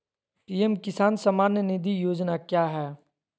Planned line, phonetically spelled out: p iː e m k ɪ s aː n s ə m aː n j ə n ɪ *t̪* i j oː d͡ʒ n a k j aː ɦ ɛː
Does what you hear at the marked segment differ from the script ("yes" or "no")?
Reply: yes